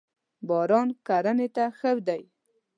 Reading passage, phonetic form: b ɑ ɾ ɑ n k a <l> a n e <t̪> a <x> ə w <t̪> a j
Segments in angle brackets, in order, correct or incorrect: incorrect, correct, correct, incorrect

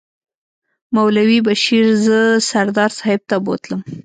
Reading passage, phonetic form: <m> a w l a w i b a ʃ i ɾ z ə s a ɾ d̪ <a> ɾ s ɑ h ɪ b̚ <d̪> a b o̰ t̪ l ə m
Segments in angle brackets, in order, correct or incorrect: correct, incorrect, incorrect

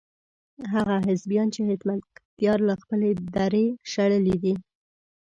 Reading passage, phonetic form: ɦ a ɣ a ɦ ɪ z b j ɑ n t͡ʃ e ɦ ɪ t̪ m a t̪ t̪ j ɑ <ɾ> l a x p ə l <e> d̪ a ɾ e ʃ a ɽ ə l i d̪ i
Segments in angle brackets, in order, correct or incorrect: correct, correct

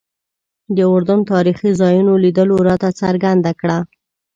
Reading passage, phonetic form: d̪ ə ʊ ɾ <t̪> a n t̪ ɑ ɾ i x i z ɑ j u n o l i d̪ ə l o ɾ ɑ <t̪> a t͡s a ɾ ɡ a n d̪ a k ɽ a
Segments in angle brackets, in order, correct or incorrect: incorrect, correct

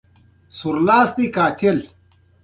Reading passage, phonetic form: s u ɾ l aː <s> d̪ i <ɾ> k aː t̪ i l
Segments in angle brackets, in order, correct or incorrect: correct, incorrect

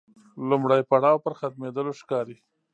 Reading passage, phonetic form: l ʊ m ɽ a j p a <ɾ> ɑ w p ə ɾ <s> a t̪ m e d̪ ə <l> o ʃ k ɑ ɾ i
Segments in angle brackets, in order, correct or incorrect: incorrect, incorrect, correct

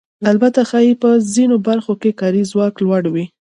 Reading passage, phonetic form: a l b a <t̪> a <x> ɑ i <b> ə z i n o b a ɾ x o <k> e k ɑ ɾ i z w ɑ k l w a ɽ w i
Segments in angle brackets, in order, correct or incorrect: correct, correct, incorrect, correct

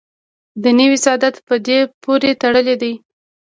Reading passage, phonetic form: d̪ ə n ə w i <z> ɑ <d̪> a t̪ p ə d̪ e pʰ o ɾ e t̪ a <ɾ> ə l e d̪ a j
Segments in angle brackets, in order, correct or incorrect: incorrect, correct, incorrect

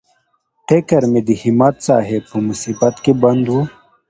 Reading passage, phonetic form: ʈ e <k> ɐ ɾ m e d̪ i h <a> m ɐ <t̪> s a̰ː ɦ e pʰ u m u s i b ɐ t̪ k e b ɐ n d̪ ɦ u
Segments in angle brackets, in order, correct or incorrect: correct, incorrect, correct

